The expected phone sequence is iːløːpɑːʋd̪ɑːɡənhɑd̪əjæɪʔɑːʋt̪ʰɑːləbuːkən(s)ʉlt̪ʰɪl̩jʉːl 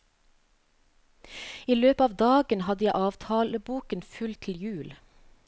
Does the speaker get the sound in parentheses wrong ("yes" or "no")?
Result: yes